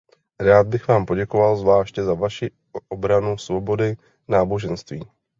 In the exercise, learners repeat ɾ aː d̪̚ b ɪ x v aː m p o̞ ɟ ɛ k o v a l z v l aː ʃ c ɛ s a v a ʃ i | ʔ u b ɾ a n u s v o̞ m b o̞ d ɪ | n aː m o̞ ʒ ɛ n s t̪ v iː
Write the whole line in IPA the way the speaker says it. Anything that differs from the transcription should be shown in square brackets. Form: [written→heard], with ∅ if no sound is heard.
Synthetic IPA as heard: ɾ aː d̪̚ b ɪ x v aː m p o̞ ɟ ɛ k o v a l z v l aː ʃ c ɛ [s→z] a v a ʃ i | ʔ [u→o] b ɾ a n u s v o̞ [m→∅] b o̞ d ɪ | n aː [m→b] o̞ ʒ ɛ n s t̪ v iː